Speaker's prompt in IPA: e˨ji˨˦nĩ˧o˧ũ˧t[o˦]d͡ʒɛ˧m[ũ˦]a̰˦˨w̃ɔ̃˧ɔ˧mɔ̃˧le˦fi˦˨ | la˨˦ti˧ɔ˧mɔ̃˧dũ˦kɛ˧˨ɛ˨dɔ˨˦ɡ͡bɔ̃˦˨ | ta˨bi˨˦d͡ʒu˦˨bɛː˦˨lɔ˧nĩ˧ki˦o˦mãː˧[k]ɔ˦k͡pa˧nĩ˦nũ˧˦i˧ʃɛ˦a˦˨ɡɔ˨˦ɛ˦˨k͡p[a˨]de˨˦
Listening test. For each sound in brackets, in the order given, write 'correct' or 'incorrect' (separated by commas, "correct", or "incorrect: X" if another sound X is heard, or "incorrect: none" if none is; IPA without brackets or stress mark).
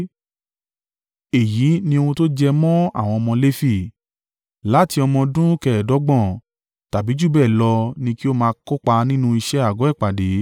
correct, incorrect: ɔ̃˦, correct, correct